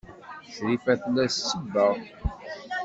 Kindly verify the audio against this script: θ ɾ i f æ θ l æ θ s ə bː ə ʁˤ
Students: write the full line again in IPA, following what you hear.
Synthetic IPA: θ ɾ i f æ θ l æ s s ə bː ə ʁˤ